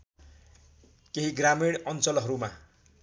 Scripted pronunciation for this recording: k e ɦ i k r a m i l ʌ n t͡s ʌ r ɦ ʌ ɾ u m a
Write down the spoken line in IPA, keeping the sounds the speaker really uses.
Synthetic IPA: k e ɦ i ɡ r a m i ɽ ʌ n t͡s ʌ l ɦ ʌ ɾ u m a